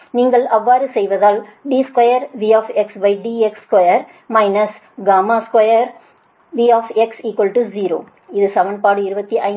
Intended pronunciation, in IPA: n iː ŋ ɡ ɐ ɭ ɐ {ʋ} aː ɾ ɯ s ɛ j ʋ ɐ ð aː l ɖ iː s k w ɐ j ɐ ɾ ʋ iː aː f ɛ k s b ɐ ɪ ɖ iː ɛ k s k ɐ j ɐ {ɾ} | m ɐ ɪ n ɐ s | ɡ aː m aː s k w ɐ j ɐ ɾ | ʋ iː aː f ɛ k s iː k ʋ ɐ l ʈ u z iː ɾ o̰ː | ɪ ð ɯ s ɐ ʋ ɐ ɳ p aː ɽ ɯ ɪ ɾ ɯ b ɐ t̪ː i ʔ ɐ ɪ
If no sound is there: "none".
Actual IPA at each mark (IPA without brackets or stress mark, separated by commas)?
ʋː, ɾ